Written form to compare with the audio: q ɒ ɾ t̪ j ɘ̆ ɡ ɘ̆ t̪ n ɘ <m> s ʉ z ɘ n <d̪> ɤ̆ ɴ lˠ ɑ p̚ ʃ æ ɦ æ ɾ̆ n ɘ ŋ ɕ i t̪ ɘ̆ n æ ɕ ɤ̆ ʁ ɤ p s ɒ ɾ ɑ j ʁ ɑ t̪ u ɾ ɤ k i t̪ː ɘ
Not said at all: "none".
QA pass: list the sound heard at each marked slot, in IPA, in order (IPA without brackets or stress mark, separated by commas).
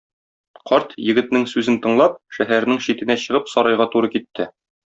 ŋ, t̪